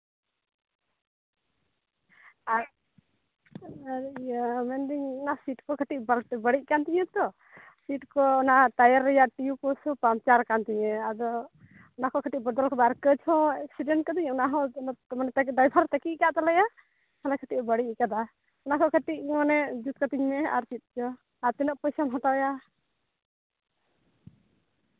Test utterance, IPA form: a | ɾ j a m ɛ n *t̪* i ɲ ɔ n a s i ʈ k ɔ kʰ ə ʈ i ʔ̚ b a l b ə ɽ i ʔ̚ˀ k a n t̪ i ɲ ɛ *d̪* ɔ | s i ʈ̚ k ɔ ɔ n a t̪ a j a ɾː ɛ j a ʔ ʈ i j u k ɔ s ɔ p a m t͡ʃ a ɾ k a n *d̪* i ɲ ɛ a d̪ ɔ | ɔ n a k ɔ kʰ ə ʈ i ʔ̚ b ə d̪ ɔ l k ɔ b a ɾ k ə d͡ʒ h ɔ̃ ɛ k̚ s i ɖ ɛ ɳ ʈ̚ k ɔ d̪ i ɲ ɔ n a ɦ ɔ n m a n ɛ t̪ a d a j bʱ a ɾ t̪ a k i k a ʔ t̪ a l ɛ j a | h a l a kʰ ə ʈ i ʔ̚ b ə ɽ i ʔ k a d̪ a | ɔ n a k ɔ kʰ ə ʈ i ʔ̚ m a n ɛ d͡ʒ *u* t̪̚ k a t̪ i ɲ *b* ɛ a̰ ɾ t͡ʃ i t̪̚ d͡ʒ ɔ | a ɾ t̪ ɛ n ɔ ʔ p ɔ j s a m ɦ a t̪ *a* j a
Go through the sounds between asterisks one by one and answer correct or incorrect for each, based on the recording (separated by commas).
incorrect, incorrect, incorrect, correct, incorrect, correct